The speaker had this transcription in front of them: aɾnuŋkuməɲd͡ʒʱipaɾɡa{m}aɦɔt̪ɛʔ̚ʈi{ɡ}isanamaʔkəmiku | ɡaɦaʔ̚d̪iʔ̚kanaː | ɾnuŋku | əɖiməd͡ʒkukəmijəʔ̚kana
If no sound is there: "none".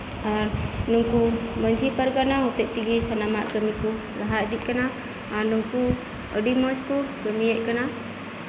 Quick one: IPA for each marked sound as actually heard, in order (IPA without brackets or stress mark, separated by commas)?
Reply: n, ɡ